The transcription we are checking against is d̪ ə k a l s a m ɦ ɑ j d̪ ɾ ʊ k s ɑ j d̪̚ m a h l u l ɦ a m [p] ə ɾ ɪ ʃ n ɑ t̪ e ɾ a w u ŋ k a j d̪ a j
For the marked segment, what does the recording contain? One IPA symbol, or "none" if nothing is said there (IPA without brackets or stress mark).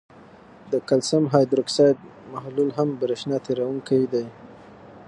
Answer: b